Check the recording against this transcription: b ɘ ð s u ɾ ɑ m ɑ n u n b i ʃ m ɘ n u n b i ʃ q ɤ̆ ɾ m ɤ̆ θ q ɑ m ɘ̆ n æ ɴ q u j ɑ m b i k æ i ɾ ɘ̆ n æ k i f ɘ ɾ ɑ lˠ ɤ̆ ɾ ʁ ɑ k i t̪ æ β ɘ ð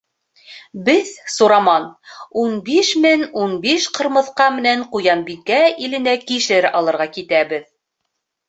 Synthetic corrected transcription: b ɘ ð s u ɾ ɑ m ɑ n u n b i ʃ m ɘ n u n b i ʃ q ɤ̆ ɾ m ɤ̆ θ q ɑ m ɘ̆ n æ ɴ q u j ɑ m b i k æ i l ɘ̆ n æ k i ʃ ɘ ɾ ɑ lˠ ɤ̆ ɾ ʁ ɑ k i t̪ æ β ɘ ð